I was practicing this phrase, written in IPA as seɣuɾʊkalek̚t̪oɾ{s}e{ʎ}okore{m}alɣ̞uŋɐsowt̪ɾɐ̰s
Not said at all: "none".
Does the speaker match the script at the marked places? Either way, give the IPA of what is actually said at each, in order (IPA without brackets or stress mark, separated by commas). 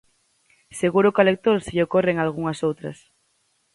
s, ʎ, ŋ